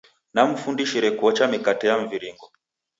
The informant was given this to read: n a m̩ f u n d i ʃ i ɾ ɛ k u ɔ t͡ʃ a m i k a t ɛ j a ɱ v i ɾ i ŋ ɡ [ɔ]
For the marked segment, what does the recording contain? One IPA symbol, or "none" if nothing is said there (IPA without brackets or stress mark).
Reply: ɔ